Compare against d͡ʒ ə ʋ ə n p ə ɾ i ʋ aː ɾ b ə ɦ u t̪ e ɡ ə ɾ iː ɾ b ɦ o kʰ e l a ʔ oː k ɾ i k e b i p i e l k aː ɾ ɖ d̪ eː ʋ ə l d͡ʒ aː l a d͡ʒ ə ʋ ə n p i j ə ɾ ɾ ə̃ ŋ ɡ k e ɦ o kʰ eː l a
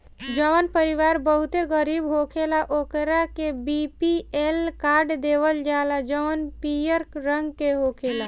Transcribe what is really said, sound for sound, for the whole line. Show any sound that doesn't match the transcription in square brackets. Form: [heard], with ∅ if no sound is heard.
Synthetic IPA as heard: d͡ʒ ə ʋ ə n p ə ɾ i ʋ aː ɾ b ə ɦ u t̪ e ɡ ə ɾ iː [∅] b ɦ o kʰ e l a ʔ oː k ɾ [a] k e b i p i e l k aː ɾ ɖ d̪ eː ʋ ə l d͡ʒ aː l a d͡ʒ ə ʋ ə n p i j ə ɾ ɾ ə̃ ŋ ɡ k e ɦ o kʰ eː l a